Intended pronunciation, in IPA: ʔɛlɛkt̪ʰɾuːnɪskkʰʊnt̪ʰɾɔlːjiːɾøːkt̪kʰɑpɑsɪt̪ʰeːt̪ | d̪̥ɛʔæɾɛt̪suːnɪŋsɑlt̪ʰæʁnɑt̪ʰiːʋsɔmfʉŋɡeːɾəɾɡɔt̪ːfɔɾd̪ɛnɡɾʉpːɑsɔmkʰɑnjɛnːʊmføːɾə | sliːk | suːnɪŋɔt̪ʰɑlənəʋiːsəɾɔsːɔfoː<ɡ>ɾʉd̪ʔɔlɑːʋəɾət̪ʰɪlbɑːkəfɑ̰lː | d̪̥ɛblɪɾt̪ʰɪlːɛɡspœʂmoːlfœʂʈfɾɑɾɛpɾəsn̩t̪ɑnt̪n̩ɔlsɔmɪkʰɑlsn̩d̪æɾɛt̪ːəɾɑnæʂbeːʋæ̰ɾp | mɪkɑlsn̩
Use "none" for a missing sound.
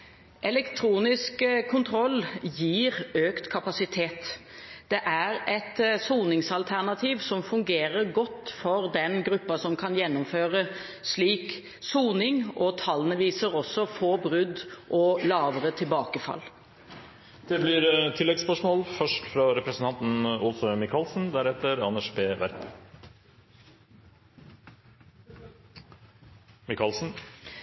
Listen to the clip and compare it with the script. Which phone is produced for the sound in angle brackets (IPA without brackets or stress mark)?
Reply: b